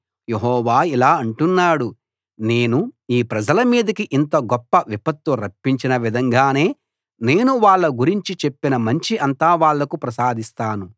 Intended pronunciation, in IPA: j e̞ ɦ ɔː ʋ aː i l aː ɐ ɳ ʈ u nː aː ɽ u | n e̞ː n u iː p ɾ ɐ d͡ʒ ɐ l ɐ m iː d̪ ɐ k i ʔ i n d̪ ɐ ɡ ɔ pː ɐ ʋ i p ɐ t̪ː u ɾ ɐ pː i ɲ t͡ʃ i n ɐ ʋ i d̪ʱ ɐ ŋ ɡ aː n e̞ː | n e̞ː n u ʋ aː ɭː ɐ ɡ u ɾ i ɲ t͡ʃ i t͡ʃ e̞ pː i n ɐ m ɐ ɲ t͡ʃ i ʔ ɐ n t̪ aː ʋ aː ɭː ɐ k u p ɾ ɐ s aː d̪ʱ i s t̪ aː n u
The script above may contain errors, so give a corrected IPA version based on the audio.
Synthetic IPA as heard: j e̞ ɦ ɔː ʋ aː i l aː ɐ ɳ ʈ u nː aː ɽ u | n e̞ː n u iː p ɾ ɐ d͡ʒ ɐ l ɐ m iː d̪ ɐ k i ʔ i n t̪ ɐ ɡ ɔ pː ɐ ʋ i p ɐ t̪ː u ɾ ɐ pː i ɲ t͡ʃ i n ɐ ʋ i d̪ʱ ɐ ŋ ɡ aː n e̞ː | n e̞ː n u ʋ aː ɭː ɐ ɡ u ɾ i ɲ t͡ʃ i t͡ʃ e̞ pː i n ɐ m ɐ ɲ t͡ʃ i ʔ ɐ n t̪ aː ʋ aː ɭː ɐ k u p ɾ ɐ s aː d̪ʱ i s t̪ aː n u